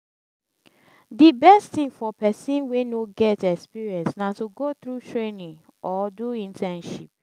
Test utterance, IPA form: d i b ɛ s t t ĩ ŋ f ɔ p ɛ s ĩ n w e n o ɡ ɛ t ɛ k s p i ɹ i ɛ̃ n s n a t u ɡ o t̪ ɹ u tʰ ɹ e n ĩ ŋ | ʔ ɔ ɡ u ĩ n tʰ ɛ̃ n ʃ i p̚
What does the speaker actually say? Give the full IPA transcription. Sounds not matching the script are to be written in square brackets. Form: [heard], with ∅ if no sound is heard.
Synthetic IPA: d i b ɛ s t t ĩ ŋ f ɔ p ɛ s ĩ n w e n o ɡ ɛ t ɛ k s p i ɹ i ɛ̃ n s n a t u ɡ o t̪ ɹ u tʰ ɹ e n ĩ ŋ | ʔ ɔ [d] u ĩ n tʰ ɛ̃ n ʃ i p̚